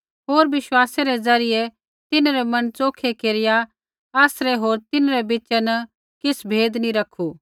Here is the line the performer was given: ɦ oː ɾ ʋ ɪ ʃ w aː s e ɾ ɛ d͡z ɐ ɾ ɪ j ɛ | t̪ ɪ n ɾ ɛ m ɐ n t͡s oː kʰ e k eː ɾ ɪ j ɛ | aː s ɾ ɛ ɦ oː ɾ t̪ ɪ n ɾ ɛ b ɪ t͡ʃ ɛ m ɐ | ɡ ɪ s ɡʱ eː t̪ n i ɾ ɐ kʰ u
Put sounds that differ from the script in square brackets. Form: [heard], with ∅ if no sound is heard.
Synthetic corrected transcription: ɦ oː ɾ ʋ ɪ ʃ w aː s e ɾ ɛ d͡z ɐ ɾ ɪ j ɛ | t̪ ɪ n ɾ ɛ m ɐ n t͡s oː kʰ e k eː ɾ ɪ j [a] | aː s ɾ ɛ ɦ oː ɾ t̪ ɪ n ɾ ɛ b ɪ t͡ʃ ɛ [n] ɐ | [k] ɪ s [bʱ] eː [d̪] n i ɾ ɐ kʰ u